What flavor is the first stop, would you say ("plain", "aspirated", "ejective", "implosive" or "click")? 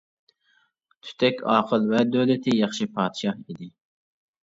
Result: aspirated